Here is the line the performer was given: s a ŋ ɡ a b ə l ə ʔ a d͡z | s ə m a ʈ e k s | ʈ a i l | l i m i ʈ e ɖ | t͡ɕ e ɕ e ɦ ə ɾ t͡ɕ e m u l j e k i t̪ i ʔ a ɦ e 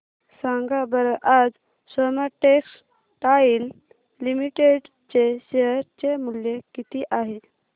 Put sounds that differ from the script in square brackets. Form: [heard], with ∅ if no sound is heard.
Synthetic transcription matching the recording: s a ŋ ɡ a b ə [ɾ] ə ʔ a d͡z | s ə m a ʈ e k s | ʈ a i l | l i m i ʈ e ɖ | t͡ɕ e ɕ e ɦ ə ɾ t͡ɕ e m u l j e k i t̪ i ʔ a ɦ e